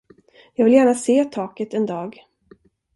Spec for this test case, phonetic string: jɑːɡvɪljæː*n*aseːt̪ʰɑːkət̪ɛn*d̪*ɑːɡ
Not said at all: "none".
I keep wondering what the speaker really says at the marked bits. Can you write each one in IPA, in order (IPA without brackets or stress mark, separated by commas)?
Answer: ɳ, d̪